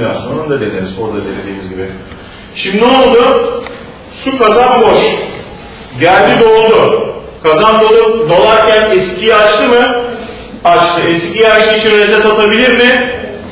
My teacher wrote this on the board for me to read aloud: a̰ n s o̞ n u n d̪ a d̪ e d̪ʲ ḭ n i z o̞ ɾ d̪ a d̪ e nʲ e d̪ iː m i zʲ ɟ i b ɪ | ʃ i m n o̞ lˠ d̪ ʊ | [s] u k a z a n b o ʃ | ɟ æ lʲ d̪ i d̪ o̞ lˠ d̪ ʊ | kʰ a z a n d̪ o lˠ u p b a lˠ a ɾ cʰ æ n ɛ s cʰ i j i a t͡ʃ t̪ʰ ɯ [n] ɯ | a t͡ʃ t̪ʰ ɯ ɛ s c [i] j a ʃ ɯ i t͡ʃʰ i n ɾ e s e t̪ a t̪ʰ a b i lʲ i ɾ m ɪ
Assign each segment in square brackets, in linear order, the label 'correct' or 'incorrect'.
correct, incorrect: m, correct

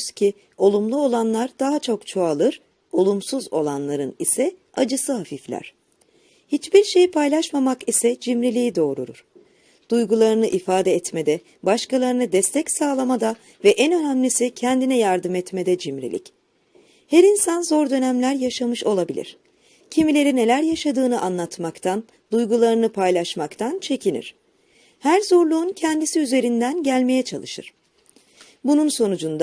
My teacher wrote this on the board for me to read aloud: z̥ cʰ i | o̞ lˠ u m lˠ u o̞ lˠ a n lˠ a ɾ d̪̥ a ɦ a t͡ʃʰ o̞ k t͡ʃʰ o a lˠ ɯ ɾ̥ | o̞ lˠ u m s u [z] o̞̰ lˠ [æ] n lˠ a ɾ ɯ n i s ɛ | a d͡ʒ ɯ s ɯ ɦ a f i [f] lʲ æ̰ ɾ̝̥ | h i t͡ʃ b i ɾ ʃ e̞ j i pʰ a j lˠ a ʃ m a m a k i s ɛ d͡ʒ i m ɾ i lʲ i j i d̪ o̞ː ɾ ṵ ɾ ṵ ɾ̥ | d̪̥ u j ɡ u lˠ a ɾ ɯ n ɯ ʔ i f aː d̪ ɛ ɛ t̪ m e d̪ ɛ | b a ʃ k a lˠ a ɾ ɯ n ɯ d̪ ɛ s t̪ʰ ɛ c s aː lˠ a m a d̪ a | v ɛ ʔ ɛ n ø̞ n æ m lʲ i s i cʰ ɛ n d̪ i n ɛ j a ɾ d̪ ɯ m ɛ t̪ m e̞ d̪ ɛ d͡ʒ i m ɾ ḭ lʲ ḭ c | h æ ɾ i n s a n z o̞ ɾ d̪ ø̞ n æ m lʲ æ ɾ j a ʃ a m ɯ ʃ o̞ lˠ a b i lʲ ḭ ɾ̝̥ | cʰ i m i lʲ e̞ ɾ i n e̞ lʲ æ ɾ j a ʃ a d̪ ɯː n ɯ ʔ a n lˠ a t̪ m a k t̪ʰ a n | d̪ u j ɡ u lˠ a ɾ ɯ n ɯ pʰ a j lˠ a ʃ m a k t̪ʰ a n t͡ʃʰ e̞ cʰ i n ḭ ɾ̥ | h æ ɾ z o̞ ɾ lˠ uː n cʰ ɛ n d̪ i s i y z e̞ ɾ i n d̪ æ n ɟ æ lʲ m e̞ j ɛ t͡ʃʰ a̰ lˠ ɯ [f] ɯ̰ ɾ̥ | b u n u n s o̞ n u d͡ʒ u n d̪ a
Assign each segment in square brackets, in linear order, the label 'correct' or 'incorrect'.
correct, incorrect: a, correct, incorrect: ʃ

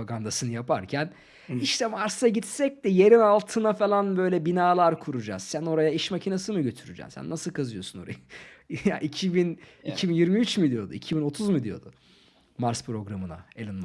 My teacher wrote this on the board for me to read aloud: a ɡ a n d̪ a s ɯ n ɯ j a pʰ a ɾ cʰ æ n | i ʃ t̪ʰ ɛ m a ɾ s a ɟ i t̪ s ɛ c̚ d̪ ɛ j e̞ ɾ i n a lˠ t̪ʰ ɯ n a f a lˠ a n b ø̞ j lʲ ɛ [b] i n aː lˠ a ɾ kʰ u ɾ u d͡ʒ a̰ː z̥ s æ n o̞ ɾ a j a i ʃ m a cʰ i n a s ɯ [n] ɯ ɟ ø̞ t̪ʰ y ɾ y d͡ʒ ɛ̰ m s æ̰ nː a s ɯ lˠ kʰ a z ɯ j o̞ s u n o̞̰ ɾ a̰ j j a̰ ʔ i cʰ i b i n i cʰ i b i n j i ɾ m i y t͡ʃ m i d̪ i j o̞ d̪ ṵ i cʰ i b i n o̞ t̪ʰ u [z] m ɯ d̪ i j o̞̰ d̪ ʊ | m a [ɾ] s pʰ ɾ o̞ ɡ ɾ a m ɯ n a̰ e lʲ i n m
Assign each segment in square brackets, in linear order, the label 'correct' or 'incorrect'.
correct, incorrect: m, correct, correct

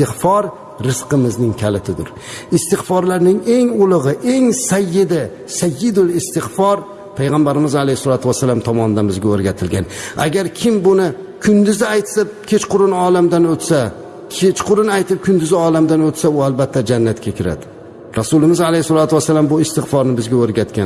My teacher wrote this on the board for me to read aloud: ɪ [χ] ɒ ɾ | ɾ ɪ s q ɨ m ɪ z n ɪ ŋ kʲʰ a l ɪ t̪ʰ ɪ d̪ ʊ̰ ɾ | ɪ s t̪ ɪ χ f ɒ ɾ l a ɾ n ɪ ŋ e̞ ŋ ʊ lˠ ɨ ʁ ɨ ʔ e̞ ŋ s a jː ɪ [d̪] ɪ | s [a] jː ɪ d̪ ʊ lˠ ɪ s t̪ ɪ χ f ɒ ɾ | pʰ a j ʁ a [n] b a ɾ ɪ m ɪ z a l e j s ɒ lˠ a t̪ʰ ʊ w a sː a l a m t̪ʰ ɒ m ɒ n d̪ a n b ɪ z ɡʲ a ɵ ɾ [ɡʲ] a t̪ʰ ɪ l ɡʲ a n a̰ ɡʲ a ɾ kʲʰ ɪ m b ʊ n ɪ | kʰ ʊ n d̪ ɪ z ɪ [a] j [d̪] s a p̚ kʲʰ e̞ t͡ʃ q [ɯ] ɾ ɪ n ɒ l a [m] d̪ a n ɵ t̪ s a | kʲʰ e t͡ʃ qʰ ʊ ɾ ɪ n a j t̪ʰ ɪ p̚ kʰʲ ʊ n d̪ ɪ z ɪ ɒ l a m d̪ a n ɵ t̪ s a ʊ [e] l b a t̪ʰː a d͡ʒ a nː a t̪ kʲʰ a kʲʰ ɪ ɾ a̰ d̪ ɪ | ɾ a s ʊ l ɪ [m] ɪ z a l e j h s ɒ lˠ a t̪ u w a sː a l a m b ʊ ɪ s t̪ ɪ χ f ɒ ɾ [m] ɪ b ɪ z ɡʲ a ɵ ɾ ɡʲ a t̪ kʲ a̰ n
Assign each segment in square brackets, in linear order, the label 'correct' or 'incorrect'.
incorrect: f, correct, correct, incorrect: m, correct, correct, incorrect: t̪, incorrect: ʊ, correct, incorrect: a, correct, incorrect: n

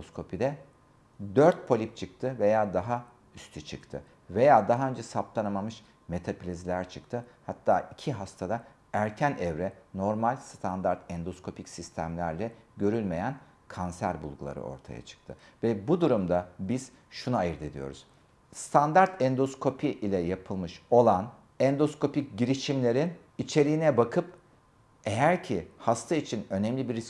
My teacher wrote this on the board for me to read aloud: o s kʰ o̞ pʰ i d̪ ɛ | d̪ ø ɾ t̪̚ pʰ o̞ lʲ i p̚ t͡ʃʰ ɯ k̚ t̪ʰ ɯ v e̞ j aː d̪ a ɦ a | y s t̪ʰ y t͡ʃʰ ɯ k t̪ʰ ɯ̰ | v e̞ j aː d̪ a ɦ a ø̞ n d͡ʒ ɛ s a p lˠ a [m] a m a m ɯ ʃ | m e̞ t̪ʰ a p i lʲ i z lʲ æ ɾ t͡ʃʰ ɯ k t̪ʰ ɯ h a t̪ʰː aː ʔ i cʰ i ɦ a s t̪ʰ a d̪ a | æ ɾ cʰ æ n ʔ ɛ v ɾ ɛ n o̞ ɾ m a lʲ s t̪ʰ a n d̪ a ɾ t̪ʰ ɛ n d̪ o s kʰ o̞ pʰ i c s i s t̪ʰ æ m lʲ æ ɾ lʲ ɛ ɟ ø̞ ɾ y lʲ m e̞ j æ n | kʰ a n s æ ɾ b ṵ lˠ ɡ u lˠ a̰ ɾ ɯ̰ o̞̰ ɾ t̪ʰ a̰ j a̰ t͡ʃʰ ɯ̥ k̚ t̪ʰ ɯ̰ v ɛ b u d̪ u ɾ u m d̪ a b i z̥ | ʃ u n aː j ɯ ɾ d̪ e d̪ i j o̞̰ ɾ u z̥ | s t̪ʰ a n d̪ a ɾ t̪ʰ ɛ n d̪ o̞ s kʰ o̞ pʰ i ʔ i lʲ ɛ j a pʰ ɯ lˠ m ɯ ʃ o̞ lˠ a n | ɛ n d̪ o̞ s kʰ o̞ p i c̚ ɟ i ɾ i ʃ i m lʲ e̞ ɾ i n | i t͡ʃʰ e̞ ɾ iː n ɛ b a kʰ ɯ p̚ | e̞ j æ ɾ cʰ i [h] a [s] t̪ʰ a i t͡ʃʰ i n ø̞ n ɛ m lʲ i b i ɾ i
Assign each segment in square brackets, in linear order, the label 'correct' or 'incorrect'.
incorrect: n, correct, correct

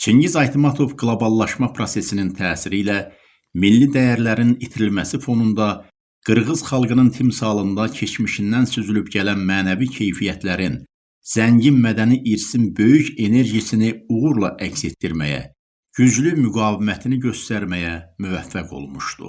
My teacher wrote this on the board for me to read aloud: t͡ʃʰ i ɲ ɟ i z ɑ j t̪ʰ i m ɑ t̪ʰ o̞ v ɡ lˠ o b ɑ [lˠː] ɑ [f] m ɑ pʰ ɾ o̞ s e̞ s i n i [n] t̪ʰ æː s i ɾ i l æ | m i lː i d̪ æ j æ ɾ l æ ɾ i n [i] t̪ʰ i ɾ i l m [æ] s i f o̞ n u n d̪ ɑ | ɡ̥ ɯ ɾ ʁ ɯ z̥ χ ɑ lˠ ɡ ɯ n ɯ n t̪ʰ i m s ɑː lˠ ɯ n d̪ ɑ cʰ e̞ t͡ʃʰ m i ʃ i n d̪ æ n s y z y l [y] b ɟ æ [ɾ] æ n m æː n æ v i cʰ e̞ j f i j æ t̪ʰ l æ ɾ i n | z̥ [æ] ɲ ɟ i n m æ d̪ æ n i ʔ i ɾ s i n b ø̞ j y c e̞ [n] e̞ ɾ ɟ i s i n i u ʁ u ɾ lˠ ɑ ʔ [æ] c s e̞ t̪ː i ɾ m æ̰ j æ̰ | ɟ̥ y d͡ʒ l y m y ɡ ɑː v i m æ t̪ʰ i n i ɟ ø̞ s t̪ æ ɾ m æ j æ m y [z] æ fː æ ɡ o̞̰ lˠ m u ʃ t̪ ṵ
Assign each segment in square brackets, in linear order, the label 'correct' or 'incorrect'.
correct, incorrect: ʃ, correct, correct, correct, correct, incorrect: l, correct, correct, correct, incorrect: v

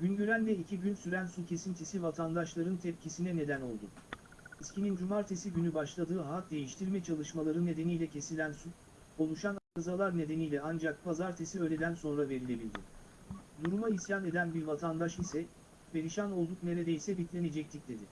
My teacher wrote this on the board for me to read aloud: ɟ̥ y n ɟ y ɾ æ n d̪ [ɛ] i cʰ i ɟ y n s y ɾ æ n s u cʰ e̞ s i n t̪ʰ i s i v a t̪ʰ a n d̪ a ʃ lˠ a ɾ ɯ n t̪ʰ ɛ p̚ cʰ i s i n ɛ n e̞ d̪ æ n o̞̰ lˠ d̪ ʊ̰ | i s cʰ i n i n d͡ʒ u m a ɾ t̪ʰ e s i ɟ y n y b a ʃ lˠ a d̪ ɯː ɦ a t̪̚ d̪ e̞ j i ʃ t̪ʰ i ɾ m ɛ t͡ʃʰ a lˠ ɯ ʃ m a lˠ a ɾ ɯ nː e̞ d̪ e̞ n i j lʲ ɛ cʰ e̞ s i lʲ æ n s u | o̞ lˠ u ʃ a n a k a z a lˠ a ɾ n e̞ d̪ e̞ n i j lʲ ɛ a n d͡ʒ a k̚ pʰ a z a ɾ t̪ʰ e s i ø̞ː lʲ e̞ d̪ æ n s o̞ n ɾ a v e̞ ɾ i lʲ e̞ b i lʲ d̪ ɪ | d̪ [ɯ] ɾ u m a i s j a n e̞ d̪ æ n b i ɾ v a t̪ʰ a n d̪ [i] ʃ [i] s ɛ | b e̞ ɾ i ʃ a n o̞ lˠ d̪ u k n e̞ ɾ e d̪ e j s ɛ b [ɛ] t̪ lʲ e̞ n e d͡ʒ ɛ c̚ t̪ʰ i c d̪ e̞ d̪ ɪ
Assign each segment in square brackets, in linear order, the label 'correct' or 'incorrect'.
correct, incorrect: u, incorrect: a, correct, incorrect: i

